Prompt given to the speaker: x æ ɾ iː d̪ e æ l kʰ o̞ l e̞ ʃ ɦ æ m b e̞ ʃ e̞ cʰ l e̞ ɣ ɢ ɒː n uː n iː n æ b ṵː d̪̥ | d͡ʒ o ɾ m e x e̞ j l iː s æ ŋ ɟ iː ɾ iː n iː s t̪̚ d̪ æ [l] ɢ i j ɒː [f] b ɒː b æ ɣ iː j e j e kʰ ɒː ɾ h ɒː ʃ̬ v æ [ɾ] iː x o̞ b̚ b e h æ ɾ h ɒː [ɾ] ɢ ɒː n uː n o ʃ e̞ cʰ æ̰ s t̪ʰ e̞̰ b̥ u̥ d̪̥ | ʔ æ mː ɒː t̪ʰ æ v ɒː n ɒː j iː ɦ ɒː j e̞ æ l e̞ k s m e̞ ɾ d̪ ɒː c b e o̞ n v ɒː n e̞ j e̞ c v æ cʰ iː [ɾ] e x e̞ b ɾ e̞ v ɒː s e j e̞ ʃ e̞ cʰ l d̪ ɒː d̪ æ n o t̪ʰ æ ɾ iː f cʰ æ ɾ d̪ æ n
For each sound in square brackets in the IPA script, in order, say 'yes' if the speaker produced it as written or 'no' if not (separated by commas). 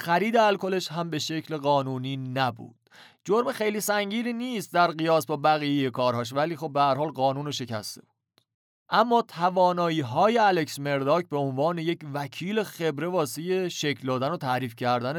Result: no, no, no, no, no